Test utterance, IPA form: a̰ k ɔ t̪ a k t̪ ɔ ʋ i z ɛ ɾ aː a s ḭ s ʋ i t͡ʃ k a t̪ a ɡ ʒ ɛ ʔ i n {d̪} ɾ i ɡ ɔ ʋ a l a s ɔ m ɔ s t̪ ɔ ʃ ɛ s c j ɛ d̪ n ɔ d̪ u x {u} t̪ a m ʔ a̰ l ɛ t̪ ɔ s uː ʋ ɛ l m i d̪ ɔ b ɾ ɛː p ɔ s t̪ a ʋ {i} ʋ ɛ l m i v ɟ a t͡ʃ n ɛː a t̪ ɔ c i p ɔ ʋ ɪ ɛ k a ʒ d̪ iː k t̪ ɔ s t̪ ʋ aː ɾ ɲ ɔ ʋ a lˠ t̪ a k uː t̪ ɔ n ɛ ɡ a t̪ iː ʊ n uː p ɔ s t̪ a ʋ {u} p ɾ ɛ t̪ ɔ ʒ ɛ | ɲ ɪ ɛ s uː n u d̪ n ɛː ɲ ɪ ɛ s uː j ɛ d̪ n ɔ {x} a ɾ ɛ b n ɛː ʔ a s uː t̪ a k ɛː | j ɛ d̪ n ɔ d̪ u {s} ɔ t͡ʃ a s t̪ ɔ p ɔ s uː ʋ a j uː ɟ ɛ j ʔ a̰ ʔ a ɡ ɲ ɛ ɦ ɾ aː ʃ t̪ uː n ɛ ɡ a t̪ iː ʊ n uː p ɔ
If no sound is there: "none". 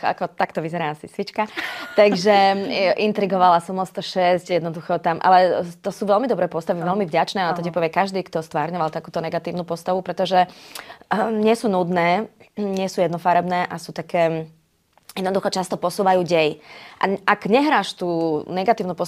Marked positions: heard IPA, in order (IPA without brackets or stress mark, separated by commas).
t̪, ɔ, i, u, f, x